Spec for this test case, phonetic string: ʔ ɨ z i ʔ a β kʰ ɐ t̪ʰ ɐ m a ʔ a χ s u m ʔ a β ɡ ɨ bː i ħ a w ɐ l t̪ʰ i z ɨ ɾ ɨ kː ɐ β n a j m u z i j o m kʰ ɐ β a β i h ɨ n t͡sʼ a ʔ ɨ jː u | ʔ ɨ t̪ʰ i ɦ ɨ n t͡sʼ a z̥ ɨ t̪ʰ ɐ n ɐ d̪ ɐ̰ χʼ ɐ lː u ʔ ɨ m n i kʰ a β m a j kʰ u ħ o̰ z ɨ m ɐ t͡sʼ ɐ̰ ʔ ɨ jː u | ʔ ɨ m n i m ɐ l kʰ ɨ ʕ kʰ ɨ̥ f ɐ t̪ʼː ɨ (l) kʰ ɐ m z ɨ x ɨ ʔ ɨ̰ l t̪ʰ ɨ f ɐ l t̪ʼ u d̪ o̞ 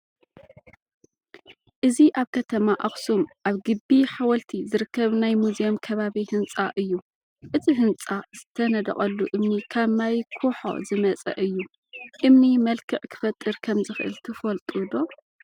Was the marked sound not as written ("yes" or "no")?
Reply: yes